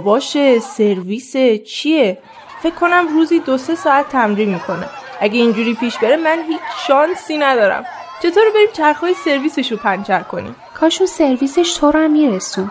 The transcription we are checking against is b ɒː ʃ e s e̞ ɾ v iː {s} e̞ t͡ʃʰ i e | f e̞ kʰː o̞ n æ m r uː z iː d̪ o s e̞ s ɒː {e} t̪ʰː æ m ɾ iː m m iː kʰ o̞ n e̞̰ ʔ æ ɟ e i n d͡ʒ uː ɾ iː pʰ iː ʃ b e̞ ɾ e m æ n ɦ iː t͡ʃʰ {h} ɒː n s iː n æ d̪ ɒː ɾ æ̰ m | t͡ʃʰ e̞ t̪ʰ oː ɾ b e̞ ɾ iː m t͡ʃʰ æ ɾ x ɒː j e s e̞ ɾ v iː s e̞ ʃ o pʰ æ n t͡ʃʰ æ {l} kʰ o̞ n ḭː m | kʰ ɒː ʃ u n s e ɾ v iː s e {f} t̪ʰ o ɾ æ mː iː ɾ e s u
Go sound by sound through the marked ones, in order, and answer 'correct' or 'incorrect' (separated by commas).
correct, incorrect, incorrect, incorrect, incorrect